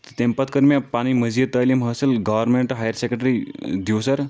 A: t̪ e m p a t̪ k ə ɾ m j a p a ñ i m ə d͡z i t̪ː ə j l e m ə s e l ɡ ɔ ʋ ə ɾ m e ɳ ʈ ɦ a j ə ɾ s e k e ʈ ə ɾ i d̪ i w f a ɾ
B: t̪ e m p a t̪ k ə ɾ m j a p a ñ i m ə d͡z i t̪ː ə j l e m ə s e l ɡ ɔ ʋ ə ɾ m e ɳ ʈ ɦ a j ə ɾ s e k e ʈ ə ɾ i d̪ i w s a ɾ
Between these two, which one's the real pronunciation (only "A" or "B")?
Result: B